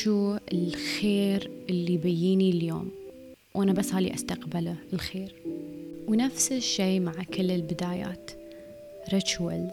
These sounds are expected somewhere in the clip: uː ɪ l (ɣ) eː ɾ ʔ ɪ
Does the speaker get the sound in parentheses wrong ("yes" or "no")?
yes